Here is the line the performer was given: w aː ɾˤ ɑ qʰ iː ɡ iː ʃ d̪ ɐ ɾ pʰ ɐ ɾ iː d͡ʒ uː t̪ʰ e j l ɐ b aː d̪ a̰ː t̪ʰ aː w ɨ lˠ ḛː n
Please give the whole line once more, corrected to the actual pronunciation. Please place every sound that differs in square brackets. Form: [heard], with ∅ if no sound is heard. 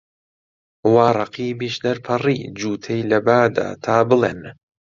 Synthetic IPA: w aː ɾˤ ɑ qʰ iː [b] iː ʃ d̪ ɐ ɾ pʰ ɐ [r] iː d͡ʒ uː t̪ʰ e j l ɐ b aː d̪ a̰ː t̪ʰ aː [b] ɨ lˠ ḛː n